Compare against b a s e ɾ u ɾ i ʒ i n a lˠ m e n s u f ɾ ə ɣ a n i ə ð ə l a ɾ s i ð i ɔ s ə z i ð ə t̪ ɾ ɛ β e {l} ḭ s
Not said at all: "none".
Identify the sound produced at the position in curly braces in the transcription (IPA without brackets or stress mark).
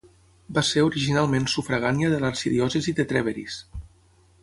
ɾ